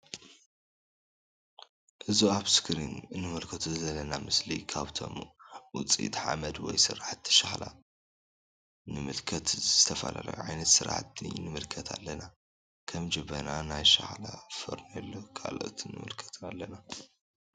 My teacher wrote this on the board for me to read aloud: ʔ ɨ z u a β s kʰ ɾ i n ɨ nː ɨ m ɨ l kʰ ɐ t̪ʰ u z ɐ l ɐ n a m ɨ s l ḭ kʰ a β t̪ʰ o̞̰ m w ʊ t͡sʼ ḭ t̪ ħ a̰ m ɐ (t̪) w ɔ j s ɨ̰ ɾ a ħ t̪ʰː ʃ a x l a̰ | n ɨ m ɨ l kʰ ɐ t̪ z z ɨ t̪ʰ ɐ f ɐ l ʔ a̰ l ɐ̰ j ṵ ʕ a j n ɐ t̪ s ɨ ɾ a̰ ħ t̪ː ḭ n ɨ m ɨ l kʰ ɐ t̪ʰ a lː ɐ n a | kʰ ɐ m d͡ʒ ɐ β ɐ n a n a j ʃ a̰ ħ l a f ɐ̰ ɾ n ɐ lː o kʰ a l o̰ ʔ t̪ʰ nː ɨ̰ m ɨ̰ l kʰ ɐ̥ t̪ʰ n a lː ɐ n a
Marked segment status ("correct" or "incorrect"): incorrect